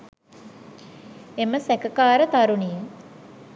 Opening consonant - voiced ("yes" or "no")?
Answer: yes